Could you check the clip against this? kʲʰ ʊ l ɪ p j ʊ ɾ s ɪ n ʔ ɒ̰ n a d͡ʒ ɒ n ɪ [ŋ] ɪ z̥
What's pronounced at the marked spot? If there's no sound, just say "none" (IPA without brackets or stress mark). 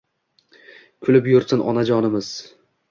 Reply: m